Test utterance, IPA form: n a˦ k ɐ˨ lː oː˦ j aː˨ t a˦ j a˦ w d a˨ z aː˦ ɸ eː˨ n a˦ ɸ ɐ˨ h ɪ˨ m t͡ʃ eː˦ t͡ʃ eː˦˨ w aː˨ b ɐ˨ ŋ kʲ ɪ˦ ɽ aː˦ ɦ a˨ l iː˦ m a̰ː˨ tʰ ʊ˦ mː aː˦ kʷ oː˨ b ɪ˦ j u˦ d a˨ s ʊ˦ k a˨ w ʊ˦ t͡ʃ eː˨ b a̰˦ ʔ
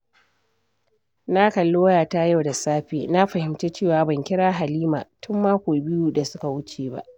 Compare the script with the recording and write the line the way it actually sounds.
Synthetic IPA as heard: n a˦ k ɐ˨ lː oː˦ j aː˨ t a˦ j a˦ w d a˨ s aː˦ ɸ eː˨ n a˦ ɸ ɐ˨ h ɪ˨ m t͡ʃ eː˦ t͡ʃ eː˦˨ w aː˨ b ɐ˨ ŋ kʲ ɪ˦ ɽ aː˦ ɦ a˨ l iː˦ m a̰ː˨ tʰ ʊ˦ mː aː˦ kʷ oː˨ b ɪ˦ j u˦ d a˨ s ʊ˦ k a˨ w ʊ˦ t͡ʃ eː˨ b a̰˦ ʔ